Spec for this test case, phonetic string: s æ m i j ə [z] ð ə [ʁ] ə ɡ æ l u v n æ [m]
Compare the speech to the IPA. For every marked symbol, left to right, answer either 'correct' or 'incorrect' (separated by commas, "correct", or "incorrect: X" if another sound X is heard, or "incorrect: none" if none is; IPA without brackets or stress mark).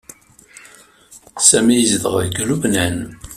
correct, correct, incorrect: n